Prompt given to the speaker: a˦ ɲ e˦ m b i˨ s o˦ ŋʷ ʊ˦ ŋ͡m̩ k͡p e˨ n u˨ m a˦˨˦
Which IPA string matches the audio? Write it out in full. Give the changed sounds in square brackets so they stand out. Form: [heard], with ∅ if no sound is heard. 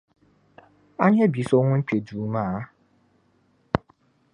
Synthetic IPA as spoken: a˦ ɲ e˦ [∅] b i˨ s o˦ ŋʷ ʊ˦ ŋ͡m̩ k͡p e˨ [d] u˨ m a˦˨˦

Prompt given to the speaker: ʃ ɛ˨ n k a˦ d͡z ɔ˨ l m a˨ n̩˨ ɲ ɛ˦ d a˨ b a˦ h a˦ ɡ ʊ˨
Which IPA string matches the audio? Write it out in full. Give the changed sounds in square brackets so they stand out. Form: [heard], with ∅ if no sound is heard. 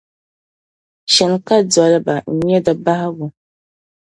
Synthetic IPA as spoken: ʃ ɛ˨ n k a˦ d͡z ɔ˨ l [b] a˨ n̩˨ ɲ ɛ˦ d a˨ b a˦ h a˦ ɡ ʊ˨

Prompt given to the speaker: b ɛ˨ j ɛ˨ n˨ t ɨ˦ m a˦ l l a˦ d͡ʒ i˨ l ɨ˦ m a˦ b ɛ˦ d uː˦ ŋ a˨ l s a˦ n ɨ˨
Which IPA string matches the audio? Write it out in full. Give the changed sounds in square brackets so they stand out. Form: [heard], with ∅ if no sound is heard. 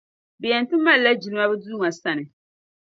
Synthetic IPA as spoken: b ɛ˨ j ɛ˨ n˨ t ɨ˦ m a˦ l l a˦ d͡ʒ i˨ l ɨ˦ m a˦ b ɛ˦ d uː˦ ŋ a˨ [∅] s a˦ n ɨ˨

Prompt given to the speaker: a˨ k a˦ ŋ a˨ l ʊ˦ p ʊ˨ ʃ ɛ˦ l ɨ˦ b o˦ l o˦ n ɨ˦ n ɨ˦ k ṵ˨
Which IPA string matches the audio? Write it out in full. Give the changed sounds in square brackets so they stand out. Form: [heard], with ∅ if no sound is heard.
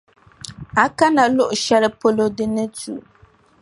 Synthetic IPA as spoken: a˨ k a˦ [n] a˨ l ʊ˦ [ʔ] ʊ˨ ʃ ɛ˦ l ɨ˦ [p] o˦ l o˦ [d] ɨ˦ n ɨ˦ [t] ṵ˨

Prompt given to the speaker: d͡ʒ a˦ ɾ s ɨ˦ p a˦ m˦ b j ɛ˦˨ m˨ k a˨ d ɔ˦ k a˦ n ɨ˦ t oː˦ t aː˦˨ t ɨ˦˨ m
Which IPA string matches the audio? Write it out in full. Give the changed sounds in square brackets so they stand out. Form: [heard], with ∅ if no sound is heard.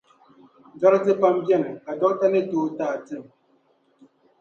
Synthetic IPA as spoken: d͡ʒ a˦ ɾ [t] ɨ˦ p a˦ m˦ b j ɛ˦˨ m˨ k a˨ d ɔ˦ [t] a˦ n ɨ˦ t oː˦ t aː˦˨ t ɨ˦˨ m

